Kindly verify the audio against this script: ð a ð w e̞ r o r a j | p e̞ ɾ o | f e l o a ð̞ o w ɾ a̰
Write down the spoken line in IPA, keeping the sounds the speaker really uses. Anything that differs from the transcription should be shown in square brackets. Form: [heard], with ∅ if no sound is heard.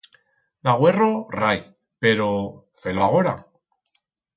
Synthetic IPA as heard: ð a [ɣ] w e̞ r o r a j | p e̞ ɾ o | f e l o a [ɣ̞] o [∅] ɾ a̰

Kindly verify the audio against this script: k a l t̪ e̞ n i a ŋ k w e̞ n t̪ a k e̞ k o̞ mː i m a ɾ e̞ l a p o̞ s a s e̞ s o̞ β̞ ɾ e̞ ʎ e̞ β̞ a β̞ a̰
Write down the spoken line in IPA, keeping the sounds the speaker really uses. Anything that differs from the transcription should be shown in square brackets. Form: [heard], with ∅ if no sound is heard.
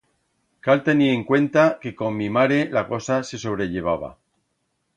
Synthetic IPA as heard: k a l t̪ e̞ n i [e] ŋ k w e̞ n t̪ a k e̞ k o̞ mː i m a ɾ e̞ l a [k] o̞ s a s e̞ s o̞ β̞ ɾ e̞ ʎ e̞ β̞ a β̞ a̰

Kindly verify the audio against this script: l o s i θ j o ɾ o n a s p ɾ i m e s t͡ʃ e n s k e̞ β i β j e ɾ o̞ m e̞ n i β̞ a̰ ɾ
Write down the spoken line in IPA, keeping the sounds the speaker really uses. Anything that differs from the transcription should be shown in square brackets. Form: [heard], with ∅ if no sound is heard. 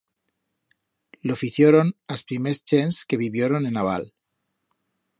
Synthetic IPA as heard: l o [f] i θ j o ɾ o n a s p ɾ i m e s t͡ʃ e n s k e̞ β i β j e ɾ o̞ [n] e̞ n [a] β̞ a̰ [l]

